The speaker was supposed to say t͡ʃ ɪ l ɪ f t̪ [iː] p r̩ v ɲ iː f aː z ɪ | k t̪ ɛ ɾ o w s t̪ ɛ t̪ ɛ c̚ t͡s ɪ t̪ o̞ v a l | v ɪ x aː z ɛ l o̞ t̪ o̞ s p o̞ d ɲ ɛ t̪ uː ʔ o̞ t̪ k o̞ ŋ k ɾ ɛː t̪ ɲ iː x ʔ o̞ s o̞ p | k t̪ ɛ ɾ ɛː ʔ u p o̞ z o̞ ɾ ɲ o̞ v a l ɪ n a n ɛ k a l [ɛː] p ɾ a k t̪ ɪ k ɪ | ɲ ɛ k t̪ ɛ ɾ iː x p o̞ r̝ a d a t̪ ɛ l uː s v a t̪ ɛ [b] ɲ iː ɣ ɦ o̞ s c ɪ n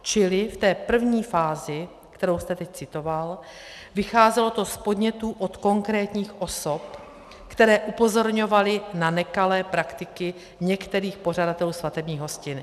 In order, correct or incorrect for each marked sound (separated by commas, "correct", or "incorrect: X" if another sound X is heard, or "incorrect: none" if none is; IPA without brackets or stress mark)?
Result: incorrect: ɛː, correct, correct